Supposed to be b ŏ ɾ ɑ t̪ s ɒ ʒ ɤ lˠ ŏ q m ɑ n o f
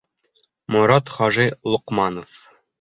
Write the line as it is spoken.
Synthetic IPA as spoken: m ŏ ɾ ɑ t̪ χ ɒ ʒ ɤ lˠ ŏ q m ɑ n o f